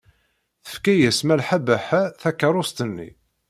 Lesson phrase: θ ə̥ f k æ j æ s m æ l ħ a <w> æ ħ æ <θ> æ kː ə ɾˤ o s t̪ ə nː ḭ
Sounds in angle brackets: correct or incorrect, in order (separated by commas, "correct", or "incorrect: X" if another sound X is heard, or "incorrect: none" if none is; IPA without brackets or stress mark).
incorrect: b, correct